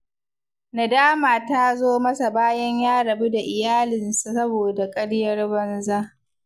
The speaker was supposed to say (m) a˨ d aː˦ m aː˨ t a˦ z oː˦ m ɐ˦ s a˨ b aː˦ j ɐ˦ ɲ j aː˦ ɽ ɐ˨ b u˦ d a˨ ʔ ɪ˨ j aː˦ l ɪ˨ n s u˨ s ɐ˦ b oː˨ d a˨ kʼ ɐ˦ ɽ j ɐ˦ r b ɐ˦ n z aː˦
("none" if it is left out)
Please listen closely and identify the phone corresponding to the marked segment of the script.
n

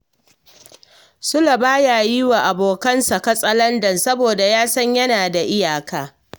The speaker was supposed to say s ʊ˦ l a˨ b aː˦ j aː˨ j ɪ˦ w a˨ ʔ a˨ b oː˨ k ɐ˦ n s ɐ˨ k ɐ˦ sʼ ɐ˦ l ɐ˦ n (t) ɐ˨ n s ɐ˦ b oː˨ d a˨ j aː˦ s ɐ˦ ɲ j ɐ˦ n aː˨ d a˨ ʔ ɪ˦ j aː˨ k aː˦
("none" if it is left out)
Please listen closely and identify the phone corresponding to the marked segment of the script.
d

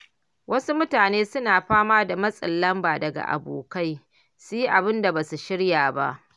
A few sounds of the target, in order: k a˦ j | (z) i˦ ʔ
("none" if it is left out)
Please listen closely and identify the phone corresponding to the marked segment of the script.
s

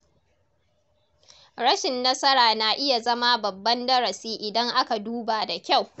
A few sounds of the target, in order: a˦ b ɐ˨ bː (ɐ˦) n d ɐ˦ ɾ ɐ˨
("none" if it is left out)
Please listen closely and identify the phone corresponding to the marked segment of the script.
ɐ˦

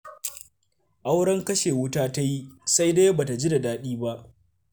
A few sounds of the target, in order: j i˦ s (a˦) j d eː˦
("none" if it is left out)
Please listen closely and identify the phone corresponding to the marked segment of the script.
a˦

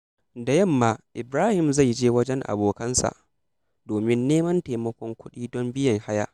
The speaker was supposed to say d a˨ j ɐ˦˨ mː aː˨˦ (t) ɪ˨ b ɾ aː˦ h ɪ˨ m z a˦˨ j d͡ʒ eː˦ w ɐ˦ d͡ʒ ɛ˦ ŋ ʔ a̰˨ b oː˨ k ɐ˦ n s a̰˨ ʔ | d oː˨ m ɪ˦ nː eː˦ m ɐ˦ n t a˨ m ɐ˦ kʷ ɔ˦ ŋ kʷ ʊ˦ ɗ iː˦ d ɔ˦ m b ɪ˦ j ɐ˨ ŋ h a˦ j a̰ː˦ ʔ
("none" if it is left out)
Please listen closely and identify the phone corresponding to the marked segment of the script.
ʔ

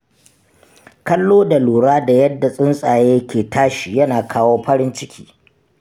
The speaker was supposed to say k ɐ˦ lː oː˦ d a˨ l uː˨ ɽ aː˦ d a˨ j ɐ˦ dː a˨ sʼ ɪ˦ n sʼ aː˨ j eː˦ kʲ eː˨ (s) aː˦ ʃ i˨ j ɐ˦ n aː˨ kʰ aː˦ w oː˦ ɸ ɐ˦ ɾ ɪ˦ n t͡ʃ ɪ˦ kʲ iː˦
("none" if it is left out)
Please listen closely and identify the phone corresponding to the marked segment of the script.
t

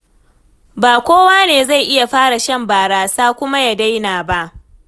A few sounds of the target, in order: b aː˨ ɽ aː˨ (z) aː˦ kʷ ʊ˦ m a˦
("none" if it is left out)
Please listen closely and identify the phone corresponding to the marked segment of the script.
s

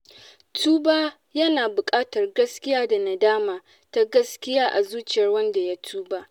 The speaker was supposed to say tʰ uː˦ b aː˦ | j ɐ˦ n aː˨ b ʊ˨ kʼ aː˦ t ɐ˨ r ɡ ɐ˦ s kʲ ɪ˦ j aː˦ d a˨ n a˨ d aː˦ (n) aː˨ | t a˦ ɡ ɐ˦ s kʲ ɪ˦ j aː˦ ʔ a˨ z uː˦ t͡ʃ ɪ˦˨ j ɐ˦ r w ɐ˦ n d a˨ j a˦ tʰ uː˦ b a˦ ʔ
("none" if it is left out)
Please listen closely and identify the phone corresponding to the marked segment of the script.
m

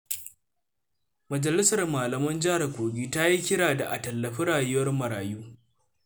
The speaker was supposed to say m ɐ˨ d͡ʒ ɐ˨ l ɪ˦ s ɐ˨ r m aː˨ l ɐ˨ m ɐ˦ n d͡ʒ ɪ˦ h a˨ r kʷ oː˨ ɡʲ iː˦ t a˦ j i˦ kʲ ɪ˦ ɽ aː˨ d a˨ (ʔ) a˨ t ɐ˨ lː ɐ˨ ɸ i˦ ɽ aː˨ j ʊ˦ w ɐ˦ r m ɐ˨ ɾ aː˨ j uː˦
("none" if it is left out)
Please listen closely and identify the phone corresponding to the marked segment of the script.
ʔ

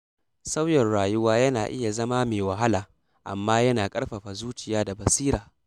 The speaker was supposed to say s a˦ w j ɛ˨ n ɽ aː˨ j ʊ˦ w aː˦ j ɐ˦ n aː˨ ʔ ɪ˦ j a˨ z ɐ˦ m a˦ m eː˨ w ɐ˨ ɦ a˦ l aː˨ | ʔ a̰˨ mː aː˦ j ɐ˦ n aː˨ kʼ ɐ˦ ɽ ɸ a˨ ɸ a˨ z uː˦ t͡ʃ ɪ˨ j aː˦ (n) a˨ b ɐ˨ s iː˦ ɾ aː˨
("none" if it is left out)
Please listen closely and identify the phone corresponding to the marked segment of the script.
d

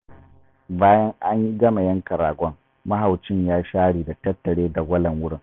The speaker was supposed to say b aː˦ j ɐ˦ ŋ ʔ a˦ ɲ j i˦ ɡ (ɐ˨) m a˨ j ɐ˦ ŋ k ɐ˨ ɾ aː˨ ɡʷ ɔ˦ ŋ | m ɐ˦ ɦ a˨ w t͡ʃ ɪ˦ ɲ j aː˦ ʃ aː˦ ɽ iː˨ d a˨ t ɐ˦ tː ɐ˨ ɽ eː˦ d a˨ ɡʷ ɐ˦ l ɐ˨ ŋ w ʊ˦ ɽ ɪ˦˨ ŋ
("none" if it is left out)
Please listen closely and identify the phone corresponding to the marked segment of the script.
ɐ˦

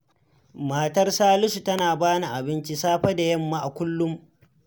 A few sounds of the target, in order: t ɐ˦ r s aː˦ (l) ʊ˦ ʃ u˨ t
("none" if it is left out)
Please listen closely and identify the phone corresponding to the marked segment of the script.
l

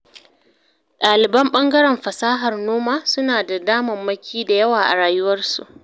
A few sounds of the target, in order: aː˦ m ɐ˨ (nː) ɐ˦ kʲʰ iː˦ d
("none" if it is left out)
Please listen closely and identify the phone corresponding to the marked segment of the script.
mː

